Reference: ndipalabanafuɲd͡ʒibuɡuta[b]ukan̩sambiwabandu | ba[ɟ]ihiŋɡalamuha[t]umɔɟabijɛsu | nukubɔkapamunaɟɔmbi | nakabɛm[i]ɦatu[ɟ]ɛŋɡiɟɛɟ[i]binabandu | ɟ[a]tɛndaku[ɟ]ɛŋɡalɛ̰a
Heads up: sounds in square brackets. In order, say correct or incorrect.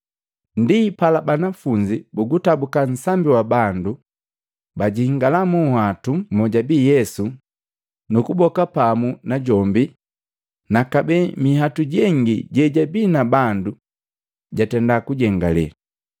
correct, correct, correct, correct, correct, incorrect, correct, correct

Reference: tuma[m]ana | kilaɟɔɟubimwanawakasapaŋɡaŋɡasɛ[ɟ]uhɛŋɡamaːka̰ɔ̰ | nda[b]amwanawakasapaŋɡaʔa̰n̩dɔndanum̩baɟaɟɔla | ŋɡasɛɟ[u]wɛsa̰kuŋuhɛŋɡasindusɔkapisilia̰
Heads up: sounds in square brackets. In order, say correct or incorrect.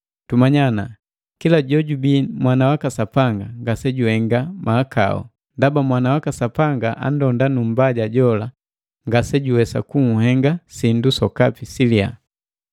incorrect, correct, correct, correct

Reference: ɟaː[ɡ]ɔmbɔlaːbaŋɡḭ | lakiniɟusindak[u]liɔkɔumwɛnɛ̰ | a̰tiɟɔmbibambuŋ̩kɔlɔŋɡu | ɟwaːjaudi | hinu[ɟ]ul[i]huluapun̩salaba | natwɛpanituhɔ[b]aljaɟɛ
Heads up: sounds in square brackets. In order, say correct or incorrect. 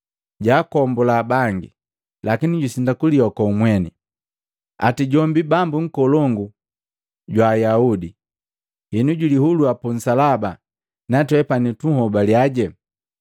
incorrect, correct, correct, correct, correct

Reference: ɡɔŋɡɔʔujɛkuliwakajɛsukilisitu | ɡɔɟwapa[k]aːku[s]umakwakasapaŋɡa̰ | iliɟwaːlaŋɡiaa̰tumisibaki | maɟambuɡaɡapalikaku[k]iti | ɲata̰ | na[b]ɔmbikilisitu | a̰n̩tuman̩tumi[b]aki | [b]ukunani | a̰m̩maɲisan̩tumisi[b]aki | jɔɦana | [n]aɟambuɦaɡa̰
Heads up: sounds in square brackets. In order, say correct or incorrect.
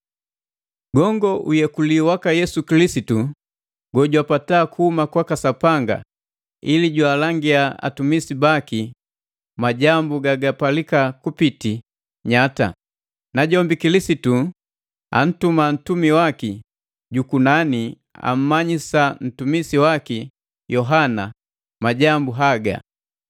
incorrect, incorrect, incorrect, incorrect, incorrect, incorrect, incorrect, incorrect

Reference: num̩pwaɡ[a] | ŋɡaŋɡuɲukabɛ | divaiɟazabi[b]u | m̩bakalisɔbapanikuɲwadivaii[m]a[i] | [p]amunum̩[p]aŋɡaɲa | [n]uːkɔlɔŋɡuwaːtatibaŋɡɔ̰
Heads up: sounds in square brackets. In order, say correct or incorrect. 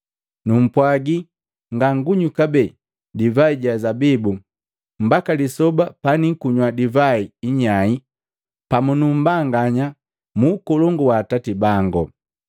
incorrect, correct, incorrect, correct, correct, incorrect, incorrect

